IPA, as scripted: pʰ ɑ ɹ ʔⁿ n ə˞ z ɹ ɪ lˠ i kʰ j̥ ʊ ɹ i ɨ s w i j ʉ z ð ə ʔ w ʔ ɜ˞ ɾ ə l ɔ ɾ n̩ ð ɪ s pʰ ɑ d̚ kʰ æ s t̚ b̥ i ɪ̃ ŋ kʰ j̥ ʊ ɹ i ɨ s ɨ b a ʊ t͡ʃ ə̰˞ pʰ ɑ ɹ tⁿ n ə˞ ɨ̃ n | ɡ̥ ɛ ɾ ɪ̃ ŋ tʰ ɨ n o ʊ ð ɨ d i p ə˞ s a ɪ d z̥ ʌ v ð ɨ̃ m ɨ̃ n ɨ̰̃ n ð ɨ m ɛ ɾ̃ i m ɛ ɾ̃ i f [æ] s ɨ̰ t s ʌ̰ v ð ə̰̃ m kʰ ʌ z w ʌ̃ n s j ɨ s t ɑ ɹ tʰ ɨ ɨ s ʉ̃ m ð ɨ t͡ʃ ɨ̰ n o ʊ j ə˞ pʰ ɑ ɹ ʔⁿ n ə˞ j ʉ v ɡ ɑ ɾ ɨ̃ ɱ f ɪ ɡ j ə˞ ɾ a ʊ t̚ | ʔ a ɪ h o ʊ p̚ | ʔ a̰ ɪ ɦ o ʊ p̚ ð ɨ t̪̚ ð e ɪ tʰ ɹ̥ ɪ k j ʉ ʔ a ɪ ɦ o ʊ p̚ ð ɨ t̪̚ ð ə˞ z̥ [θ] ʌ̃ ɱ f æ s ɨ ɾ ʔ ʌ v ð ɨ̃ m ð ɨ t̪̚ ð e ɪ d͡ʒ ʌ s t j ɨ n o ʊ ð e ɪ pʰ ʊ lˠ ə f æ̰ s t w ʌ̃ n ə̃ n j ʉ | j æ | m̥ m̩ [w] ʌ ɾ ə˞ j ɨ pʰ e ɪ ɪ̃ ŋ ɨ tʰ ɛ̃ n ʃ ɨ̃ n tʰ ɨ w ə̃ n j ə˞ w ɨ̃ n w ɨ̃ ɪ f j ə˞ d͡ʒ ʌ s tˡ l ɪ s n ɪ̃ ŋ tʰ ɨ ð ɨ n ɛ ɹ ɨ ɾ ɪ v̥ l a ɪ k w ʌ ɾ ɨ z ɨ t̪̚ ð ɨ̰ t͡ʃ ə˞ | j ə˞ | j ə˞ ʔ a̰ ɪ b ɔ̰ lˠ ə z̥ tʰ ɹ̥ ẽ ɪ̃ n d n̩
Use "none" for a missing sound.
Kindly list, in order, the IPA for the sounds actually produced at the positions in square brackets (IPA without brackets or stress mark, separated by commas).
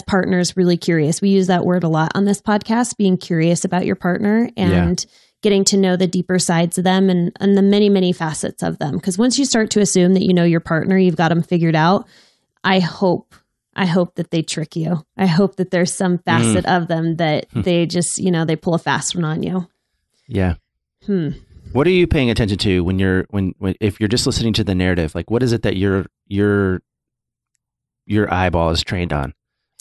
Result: æ, s, w